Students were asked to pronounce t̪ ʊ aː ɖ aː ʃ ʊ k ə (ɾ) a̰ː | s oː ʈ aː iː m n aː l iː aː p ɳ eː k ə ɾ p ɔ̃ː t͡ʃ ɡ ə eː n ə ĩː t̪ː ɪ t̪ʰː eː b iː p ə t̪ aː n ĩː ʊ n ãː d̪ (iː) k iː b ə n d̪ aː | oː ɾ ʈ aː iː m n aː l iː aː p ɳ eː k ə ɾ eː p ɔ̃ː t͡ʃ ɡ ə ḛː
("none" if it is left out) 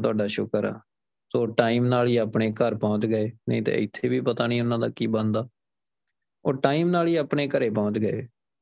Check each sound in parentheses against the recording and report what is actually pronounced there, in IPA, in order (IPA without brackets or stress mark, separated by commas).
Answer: ɾ, aː